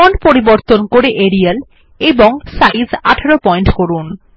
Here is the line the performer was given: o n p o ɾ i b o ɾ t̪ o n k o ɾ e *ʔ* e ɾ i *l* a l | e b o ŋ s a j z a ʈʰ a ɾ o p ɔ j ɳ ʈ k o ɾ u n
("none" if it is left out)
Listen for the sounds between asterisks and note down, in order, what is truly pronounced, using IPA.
ʔ, none

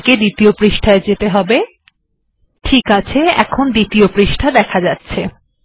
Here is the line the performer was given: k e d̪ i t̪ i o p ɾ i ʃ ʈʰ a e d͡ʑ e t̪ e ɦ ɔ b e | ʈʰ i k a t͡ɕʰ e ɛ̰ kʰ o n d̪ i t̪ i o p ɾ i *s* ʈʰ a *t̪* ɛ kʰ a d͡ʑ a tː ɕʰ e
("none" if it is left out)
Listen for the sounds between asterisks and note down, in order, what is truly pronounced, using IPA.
ʃ, d̪

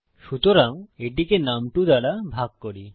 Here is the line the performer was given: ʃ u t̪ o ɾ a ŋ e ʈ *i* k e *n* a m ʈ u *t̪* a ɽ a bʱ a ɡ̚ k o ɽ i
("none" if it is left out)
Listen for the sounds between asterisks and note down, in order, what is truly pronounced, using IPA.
i, n, d̪

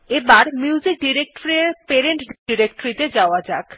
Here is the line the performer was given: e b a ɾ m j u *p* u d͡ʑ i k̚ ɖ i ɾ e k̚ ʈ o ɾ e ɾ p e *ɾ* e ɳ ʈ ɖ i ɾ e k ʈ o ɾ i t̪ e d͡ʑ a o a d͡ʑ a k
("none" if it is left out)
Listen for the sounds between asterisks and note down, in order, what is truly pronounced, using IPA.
none, ɾ

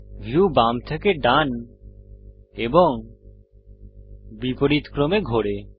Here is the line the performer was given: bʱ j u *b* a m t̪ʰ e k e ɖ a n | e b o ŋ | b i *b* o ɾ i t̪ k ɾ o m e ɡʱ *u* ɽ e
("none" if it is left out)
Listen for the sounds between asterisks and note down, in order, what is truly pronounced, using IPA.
b, p, o

